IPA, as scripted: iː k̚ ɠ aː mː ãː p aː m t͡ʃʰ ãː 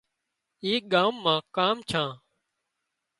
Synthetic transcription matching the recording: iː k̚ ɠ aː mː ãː k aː m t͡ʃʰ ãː